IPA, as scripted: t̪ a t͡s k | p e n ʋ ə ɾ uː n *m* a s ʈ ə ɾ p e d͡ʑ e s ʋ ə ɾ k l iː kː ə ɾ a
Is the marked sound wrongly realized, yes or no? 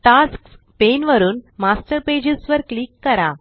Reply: no